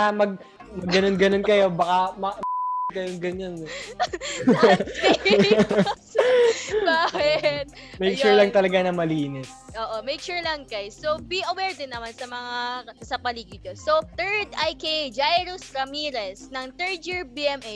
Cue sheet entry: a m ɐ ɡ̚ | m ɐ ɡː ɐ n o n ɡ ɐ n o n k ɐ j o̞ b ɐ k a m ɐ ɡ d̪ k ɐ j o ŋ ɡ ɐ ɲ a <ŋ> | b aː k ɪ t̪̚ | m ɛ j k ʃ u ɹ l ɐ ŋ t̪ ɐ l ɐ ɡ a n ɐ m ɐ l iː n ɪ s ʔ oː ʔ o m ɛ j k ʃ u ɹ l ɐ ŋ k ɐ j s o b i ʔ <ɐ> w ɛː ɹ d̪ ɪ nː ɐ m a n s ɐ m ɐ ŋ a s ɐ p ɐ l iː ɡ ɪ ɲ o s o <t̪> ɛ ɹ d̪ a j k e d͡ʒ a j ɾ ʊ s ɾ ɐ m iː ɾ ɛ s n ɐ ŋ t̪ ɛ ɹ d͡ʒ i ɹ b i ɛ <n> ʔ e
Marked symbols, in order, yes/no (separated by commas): no, yes, yes, no